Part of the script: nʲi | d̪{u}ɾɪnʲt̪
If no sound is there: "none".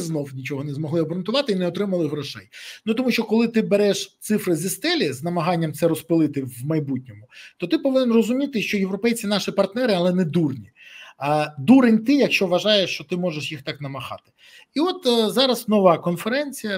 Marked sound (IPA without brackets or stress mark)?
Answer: u